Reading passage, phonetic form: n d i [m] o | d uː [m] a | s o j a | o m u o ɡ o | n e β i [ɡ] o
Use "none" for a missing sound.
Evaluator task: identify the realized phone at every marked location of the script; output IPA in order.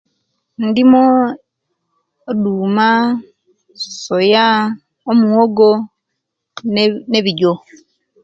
m, m, ɟ

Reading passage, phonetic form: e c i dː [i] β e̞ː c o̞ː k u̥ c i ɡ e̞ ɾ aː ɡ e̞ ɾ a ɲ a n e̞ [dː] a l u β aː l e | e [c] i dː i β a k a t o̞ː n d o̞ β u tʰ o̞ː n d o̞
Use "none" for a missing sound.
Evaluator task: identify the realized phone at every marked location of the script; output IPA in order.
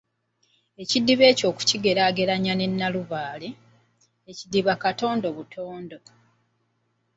i, nː, c

